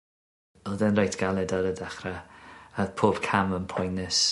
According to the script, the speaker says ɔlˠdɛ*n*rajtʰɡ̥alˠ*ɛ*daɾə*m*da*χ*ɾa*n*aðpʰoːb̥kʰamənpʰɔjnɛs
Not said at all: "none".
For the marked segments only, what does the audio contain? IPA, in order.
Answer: n, ɛ, none, χ, none

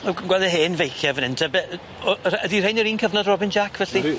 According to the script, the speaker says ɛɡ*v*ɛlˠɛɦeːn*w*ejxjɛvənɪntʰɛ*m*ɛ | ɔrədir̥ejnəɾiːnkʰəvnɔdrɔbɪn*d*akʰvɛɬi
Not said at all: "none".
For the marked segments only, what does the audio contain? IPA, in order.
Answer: w, v, b, d͡ʒ

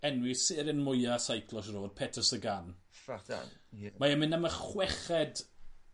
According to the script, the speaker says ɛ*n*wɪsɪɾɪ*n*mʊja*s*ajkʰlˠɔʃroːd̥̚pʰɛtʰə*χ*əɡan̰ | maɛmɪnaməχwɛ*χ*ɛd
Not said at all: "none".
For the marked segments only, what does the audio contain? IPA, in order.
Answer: n, n, s, s, χ

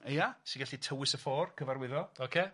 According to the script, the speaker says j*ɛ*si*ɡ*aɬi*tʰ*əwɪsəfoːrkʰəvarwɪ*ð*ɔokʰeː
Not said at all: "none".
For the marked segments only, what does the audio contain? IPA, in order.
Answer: a, ɡ, tʰ, ð

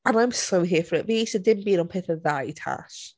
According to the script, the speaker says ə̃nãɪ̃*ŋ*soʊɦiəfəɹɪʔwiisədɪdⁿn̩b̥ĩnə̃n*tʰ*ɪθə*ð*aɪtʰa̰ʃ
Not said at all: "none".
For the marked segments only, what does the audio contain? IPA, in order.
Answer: m, pʰ, ð

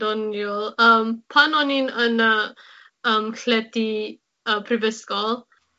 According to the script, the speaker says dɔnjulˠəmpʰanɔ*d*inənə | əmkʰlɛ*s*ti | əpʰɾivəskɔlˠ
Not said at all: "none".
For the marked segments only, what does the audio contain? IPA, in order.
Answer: n, none

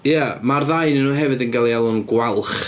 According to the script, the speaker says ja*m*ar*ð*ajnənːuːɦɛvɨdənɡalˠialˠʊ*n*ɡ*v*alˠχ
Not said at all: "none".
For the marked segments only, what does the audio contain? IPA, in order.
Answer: m, ð, n, w

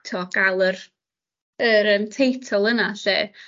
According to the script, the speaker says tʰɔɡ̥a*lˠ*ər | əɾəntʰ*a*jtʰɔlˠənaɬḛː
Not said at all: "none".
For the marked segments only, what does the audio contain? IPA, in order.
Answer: lˠ, e

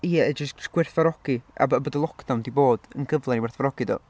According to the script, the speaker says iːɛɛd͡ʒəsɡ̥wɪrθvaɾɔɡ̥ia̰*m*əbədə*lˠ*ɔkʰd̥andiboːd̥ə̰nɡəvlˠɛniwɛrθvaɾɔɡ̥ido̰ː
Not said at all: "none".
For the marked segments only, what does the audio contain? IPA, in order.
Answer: b, lˠ

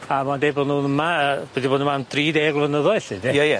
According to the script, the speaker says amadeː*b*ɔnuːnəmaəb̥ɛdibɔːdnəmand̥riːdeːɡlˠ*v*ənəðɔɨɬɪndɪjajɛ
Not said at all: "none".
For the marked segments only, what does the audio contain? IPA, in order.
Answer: b, v

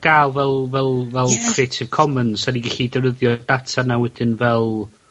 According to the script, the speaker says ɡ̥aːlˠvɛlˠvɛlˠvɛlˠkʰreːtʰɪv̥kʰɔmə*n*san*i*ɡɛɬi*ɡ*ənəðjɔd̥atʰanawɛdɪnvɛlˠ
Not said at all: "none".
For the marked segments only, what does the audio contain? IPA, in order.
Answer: n, i, d

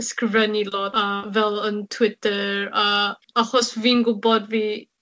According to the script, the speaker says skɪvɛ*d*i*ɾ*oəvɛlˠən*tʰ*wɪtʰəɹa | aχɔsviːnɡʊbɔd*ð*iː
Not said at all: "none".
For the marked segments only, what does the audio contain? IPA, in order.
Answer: n, l, tʰ, v

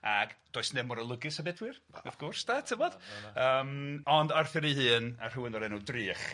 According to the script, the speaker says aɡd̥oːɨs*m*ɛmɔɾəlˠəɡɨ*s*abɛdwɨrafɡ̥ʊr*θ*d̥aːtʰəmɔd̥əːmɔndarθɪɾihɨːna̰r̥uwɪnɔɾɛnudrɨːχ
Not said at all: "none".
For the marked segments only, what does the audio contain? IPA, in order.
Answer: n, s, s

